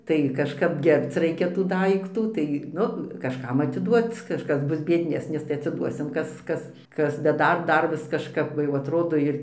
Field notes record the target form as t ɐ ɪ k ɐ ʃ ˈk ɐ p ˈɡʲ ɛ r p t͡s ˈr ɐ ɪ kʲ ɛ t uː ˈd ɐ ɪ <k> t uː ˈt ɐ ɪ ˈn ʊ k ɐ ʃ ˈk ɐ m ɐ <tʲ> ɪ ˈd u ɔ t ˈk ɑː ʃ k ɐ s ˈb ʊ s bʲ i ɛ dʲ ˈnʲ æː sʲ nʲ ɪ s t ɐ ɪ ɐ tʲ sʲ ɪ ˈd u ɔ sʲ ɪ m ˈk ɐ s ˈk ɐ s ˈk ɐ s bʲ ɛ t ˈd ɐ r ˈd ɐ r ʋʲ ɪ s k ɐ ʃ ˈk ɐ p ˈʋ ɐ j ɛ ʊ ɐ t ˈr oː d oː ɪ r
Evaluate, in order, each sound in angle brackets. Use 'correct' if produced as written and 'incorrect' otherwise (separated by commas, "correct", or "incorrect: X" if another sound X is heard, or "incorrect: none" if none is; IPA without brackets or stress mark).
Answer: correct, correct